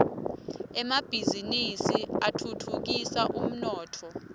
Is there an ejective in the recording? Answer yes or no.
no